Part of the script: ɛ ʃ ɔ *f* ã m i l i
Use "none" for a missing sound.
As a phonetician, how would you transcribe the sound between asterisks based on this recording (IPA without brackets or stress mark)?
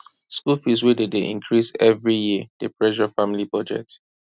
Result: f